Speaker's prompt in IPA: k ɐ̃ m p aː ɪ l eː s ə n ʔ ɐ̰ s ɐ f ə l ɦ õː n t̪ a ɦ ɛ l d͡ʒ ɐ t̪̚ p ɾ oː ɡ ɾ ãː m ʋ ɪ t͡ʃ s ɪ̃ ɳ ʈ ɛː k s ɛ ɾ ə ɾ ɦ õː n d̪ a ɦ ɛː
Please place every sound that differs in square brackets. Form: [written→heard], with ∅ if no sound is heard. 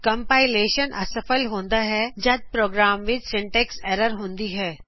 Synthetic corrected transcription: k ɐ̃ m p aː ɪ l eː [s→ʃ] ə n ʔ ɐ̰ s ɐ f ə l ɦ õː n [t̪→d̪] a ɦ ɛ [l→∅] d͡ʒ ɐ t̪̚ p ɾ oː ɡ ɾ [ãː→aː] m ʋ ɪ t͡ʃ s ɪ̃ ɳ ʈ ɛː k s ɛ ɾ ə ɾ ɦ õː n d̪ [a→i] ɦ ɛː